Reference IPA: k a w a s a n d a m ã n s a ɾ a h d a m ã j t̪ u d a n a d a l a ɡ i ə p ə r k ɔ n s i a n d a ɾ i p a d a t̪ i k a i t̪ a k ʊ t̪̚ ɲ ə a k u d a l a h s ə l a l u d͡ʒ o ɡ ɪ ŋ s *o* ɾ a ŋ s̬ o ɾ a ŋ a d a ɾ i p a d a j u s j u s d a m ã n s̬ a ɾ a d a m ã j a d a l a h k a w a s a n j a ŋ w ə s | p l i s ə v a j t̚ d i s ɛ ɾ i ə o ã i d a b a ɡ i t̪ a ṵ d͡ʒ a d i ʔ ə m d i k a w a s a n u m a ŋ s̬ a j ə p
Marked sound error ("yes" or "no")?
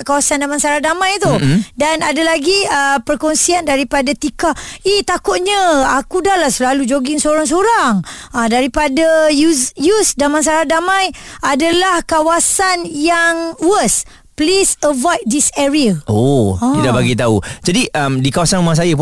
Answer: no